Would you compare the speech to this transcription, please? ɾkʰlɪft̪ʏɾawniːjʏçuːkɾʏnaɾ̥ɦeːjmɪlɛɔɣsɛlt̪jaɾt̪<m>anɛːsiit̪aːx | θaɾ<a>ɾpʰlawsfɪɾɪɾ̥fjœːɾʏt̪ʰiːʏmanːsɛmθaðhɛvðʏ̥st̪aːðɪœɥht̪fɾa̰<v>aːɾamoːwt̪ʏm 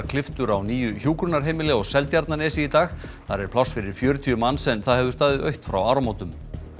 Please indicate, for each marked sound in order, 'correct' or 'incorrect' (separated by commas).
incorrect, incorrect, incorrect